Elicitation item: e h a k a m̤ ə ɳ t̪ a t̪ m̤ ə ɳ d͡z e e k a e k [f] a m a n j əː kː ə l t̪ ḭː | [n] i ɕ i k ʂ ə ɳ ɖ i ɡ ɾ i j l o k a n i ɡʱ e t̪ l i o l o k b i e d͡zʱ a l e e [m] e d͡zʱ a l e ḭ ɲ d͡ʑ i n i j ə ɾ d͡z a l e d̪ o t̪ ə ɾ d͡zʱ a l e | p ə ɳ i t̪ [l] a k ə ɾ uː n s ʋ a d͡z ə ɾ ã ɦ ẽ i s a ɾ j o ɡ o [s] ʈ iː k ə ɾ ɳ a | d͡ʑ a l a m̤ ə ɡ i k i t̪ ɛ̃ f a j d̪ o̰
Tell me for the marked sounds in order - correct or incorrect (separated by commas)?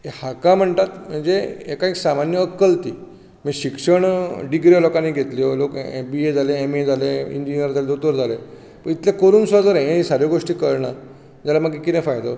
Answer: incorrect, incorrect, correct, correct, incorrect